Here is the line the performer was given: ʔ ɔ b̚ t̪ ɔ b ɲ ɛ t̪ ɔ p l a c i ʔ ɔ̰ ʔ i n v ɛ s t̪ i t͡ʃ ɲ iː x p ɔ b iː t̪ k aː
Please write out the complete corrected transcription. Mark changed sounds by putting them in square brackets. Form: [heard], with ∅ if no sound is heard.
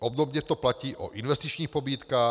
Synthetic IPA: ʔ ɔ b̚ [d̪] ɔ b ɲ ɛ t̪ ɔ p l a c [iː] ʔ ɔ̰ ʔ i n [ʋ] ɛ s t̪ i t͡ʃ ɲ iː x p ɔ b iː t̪ k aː